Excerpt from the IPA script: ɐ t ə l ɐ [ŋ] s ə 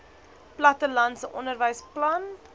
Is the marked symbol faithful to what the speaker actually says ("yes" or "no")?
no